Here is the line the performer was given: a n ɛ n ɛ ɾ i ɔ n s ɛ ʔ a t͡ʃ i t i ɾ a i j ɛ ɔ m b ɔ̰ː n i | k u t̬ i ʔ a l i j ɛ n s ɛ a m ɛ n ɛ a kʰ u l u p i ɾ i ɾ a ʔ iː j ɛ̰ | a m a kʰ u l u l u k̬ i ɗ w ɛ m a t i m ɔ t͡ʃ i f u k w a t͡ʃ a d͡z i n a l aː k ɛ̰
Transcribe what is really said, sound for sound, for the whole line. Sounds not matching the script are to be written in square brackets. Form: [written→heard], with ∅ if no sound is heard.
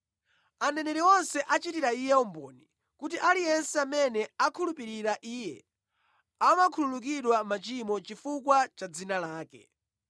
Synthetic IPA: a n ɛ n ɛ ɾ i ɔ n s ɛ ʔ a t͡ʃ i t i ɾ a i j ɛ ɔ m b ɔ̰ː n i | k u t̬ i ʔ a l i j ɛ n s ɛ a m ɛ n ɛ a kʰ u l u p i ɾ i ɾ a ʔ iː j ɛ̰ | a m a kʰ u l u l u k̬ i ɗ w [ɛ→a] m a [t→t͡ʃ] i m ɔ t͡ʃ i f u k w a t͡ʃ a d͡z i n a l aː k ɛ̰